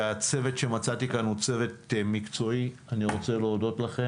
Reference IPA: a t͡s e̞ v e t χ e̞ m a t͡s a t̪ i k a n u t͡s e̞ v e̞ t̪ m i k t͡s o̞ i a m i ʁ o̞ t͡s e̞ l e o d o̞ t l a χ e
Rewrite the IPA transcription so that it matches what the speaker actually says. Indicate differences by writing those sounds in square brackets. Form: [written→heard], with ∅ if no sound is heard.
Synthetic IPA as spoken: a t͡s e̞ v e t [χ→ʃ] e̞ m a t͡s a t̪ i k a n u t͡s e̞ v e̞ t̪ m i k t͡s o̞ i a [m→n] i ʁ o̞ t͡s e̞ l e o d o̞ t l a χ e

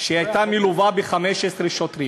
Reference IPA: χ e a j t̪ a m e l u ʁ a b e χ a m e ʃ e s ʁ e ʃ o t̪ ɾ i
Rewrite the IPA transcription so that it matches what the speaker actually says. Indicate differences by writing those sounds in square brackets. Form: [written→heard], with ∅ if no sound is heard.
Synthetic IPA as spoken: [χ→ʃ] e a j t̪ a m [e→i] l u [ʁ→v] a b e χ a m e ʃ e s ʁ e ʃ o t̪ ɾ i

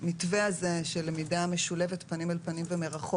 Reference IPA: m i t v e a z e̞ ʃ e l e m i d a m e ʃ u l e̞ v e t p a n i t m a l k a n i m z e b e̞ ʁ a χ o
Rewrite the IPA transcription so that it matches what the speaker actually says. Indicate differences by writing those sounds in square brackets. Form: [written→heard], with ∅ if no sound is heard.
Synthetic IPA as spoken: m i t v e a z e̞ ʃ e l e m i d a m e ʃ u l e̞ v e t p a n i [t→∅] m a l [k→p] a n i m [z→v] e [b→m] e̞ ʁ a χ o

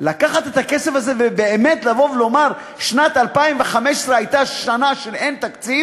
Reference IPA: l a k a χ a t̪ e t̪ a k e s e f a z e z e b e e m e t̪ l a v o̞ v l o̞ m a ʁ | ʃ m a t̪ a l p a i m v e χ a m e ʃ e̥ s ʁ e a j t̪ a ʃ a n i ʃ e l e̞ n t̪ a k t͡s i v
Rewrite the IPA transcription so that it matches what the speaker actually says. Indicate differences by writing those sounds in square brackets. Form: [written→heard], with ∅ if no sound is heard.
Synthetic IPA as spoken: l a k a χ a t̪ e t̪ a k e s e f a z e [z→v] e b e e m e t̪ l a v o̞ v l o̞ m a ʁ | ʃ [m→n] a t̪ a l p a i m v e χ a m e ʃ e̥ s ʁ e a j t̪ a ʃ a n [i→a] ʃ e l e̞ n t̪ a k t͡s i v

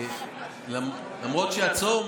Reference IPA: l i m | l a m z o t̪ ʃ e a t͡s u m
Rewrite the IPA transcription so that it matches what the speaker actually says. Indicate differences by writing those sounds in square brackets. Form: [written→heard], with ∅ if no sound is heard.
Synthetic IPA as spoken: l [i→a] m | l a m [z→ʁ] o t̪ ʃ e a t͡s [u→o] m

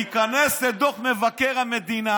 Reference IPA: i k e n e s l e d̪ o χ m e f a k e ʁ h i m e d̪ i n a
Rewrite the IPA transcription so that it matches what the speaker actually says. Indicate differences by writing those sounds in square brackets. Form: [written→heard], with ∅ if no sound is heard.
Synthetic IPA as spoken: i k [e→a] n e s l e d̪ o χ m e [f→v] a k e ʁ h [i→a] m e d̪ i n a

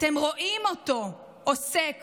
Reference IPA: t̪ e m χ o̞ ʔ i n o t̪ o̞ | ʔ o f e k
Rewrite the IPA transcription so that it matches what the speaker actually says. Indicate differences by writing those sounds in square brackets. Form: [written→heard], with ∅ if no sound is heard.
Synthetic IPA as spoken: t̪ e m [χ→ʁ] o̞ ʔ i [n→m] o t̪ o̞ | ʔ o [f→s] e k

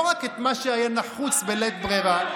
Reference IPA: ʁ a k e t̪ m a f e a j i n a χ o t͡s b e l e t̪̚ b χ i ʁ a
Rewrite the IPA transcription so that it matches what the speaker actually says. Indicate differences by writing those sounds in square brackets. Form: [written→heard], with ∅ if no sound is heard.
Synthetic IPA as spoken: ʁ a k e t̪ m a [f→ʃ] e a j [i→a] n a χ [o→u] t͡s b e l e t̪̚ b [χ→ʁ] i ʁ a

